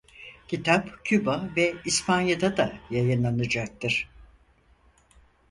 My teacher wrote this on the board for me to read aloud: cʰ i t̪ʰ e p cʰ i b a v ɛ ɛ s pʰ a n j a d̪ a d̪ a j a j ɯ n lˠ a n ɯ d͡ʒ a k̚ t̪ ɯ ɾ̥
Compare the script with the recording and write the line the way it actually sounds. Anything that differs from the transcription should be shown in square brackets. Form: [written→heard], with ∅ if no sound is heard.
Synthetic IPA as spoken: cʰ i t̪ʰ [e→a] p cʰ [i→y] b a v ɛ [ɛ→i] s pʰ a n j a d̪ a d̪ a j a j ɯ n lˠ a n ɯ d͡ʒ a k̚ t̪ ɯ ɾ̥